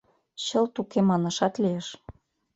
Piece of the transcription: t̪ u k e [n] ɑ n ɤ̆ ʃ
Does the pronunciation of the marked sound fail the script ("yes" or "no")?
yes